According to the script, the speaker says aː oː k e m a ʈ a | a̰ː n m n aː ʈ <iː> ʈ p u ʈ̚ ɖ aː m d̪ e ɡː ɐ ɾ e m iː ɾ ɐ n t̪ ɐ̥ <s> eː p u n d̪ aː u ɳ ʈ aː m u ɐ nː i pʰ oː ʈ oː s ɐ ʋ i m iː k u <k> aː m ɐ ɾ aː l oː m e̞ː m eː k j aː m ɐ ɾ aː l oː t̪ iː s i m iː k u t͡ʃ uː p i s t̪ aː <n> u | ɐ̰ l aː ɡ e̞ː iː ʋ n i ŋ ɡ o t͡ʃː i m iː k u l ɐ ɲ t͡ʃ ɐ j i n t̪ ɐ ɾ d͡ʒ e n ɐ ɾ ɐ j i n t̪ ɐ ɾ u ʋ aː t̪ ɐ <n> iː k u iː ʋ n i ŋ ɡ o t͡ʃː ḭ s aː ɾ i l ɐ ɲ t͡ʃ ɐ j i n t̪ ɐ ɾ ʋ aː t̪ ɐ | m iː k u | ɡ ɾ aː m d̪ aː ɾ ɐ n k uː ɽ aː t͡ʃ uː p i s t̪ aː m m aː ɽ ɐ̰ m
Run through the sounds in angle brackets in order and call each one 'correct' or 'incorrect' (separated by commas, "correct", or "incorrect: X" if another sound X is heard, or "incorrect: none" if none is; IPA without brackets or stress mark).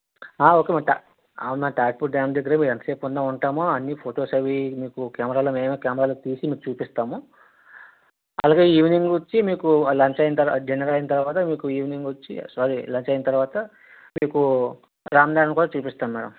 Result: incorrect: aː, correct, correct, incorrect: m, incorrect: m